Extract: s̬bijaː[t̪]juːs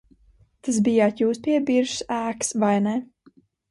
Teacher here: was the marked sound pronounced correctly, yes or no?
yes